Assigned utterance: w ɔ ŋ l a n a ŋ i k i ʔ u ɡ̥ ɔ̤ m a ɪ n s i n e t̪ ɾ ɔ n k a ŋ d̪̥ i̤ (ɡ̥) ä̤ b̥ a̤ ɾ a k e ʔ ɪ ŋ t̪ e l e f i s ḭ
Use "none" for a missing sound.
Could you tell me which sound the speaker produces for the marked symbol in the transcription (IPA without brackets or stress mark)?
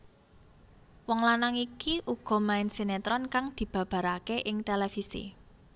b̥